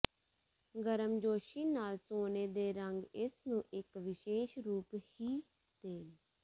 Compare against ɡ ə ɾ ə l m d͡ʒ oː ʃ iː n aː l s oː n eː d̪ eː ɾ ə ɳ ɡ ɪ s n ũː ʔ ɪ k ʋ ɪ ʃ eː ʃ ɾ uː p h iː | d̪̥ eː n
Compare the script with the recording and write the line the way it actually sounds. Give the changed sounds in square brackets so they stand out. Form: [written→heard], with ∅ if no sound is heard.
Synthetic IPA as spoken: ɡ ə ɾ ə [l→∅] m d͡ʒ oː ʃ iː n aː l s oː n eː d̪ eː ɾ ə [ɳ→ŋ] ɡ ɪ s n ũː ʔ ɪ k ʋ ɪ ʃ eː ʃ ɾ uː p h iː | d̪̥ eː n